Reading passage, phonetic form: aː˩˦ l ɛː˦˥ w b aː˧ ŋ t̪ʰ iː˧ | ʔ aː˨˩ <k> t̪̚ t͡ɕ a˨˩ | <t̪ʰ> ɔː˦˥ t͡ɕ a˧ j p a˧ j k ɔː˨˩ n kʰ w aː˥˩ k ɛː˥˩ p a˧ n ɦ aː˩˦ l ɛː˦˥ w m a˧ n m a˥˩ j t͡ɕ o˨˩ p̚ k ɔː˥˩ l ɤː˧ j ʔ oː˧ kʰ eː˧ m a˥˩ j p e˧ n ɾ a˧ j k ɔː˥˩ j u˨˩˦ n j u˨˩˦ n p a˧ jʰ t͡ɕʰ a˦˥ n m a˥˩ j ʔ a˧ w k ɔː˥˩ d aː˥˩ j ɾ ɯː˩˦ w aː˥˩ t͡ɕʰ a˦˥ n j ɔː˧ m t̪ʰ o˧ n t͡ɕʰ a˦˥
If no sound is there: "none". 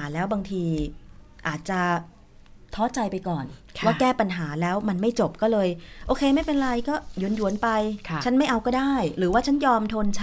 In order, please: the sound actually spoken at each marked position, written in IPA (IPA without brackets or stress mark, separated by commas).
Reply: none, t̪ʰ